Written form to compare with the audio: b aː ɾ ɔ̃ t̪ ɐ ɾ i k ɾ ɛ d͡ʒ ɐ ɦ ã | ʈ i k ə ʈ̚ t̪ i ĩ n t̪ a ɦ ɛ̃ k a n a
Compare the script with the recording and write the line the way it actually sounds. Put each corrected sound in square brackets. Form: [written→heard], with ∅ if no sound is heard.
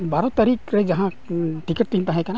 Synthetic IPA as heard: b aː ɾ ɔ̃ t̪ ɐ ɾ i k ɾ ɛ d͡ʒ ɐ ɦ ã | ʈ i k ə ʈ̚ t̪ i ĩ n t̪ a ɦ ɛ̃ k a n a